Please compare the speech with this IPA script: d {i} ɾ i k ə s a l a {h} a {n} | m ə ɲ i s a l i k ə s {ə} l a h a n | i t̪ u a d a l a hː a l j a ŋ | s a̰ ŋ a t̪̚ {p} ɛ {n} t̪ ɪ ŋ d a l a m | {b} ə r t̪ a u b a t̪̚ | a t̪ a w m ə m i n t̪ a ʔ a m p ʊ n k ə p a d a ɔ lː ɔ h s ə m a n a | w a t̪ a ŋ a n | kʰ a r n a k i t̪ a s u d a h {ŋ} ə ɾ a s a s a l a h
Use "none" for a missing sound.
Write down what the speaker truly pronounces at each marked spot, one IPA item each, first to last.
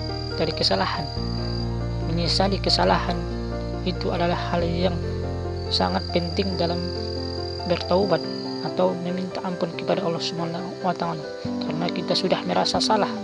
a, h, n, a, p, n, b, m

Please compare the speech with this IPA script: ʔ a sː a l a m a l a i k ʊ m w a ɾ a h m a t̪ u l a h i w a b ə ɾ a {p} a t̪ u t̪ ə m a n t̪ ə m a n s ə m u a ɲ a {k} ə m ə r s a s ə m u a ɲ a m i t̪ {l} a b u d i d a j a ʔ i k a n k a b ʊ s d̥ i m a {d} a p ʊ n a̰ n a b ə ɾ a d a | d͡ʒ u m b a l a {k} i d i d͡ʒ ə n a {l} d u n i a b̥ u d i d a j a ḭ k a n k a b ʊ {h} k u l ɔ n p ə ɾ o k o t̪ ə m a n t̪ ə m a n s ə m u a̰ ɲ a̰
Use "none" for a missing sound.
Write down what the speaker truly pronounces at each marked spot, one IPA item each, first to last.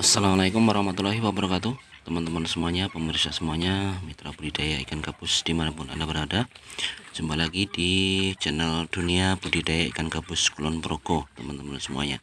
k, p, ɾ, n, ɡ, l, s

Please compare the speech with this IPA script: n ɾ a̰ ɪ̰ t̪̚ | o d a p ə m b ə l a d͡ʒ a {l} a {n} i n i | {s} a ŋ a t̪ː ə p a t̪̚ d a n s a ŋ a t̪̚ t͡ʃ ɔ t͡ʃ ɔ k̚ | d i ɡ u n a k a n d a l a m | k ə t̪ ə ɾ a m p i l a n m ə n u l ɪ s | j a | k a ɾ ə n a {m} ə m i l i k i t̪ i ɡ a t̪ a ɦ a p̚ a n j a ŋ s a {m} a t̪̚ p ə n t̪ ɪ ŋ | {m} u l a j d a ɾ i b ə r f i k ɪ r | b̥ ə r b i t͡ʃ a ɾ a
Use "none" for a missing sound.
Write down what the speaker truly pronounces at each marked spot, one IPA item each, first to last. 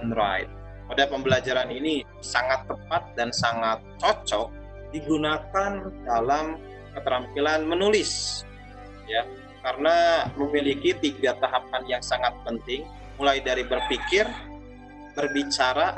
ɾ, n, s, m, ŋ, m

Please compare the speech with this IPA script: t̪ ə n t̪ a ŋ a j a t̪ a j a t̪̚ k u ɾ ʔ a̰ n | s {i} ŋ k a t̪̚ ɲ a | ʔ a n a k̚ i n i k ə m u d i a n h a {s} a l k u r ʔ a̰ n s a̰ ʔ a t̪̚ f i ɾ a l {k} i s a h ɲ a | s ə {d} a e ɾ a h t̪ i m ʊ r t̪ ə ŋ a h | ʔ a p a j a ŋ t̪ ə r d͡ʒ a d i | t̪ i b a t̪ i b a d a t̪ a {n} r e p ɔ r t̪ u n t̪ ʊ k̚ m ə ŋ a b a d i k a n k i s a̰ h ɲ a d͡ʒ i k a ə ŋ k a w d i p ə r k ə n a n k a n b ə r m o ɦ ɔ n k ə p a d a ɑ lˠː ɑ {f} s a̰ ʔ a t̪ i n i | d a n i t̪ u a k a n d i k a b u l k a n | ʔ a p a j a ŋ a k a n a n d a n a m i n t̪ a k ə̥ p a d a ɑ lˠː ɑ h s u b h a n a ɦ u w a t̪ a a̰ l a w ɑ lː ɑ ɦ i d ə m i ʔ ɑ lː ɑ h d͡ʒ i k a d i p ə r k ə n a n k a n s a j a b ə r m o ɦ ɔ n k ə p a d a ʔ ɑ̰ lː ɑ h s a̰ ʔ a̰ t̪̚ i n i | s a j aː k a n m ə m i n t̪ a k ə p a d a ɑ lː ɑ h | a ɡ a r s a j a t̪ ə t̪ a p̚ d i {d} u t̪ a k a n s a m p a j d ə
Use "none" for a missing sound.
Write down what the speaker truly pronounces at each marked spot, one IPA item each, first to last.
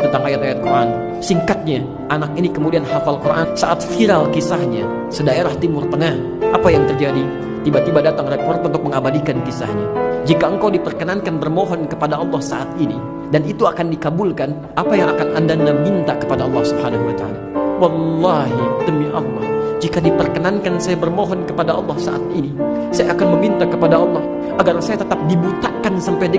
i, f, k, d, ŋ, h, b

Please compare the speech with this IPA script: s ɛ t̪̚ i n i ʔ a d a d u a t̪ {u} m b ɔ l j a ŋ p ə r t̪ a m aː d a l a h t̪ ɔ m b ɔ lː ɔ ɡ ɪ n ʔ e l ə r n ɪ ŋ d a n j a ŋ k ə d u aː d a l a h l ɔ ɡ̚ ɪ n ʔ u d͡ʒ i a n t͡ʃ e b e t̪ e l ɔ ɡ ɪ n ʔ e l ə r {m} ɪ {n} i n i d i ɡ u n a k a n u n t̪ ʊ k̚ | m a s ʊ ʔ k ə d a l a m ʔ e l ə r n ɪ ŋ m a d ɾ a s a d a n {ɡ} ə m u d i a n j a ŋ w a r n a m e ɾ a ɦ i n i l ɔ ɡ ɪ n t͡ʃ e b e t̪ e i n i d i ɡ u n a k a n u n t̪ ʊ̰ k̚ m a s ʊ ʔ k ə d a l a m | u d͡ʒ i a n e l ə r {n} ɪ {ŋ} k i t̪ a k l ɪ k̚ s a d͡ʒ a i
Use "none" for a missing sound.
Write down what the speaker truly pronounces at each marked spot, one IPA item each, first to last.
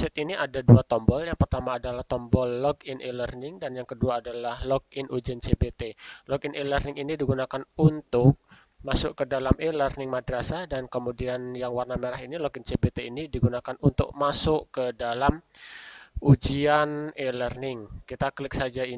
ɔ, n, ŋ, k, n, ŋ

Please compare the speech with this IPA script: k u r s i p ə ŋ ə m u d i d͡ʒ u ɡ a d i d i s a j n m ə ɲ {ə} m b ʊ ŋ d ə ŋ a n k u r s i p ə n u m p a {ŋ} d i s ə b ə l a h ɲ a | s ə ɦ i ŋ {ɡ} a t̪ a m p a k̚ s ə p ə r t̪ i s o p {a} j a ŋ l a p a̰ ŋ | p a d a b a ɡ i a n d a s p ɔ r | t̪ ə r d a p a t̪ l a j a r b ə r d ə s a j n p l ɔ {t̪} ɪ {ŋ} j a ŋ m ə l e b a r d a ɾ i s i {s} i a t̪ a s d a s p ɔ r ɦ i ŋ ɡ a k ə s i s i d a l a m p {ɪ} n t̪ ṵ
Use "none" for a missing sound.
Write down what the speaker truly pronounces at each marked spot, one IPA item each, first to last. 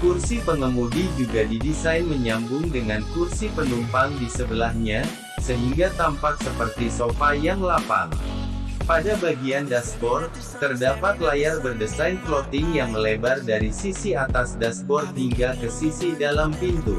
a, ŋ, ɡ, a, t̪, ŋ, s, i

